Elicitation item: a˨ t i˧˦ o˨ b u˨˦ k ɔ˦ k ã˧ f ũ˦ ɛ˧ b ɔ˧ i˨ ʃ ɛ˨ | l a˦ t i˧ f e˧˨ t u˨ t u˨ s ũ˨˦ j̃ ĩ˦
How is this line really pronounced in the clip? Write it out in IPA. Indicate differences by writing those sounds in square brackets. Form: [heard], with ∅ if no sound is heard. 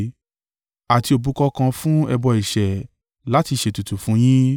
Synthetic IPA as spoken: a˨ t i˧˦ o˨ b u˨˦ k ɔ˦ k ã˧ f ũ˦ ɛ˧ b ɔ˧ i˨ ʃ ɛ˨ | l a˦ t i˧ [ʃ] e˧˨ t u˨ t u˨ [f] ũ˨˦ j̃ ĩ˦